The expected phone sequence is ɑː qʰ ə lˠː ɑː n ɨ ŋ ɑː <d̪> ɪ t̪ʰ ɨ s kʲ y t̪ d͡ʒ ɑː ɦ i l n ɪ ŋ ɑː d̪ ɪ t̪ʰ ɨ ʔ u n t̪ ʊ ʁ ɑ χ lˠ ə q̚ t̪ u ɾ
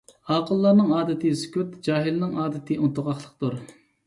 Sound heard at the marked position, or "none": d̪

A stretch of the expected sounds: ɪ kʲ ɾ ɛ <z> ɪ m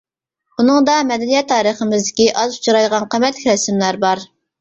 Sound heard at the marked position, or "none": s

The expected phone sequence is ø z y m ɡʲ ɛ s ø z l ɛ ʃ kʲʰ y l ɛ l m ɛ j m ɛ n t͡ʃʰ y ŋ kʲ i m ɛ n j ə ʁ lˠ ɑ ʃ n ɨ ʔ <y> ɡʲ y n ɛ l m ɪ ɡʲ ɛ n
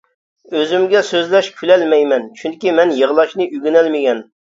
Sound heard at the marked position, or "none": y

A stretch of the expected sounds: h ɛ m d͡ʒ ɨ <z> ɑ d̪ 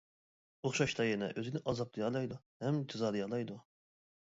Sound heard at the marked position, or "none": z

